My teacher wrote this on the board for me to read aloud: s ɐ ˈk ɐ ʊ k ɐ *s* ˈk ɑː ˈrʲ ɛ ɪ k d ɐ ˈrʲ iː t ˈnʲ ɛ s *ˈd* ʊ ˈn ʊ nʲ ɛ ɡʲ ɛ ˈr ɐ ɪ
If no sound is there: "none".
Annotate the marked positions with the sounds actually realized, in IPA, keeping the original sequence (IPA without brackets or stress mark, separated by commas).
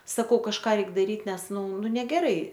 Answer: ʃ, n